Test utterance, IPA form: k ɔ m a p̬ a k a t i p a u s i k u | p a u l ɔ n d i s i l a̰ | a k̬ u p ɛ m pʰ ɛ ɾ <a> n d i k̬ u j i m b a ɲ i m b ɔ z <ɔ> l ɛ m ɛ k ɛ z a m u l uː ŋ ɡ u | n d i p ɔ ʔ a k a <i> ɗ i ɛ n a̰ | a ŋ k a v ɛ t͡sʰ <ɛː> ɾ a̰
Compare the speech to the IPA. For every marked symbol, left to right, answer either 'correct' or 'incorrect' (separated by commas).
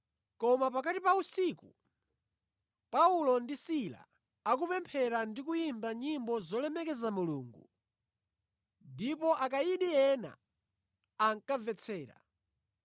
correct, correct, correct, correct